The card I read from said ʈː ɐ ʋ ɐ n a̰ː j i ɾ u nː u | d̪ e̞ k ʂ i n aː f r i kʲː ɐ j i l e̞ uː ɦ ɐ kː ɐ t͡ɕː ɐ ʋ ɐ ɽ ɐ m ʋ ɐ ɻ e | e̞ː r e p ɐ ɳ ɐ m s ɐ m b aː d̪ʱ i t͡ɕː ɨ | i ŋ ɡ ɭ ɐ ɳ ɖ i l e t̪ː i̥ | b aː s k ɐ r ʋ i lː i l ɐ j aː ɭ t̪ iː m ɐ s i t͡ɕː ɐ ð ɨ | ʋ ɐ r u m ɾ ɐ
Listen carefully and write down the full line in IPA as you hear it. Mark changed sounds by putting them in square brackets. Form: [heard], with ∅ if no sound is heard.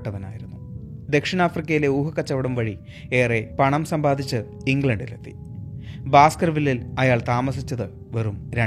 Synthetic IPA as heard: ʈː ɐ ʋ ɐ n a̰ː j i ɾ u nː u | d̪ e̞ k ʂ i n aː f r i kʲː ɐ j i l e̞ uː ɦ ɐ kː ɐ t͡ɕː ɐ ʋ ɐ ɽ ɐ m ʋ ɐ ɻ [i] | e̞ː r e p ɐ ɳ ɐ m s ɐ m b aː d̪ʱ i t͡ɕː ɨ | i ŋ ɡ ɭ ɐ ɳ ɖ i l e t̪ː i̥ | b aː s k ɐ r ʋ i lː i l ɐ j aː ɭ t̪ [aː] m ɐ s i t͡ɕː ɐ ð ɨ | ʋ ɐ r u m ɾ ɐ